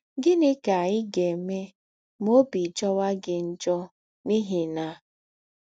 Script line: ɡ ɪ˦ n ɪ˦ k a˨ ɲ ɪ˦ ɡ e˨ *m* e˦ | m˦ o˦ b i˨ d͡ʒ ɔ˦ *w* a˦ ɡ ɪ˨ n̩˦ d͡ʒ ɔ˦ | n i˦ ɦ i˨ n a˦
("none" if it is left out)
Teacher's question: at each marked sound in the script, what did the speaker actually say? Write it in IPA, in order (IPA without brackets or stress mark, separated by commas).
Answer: m, w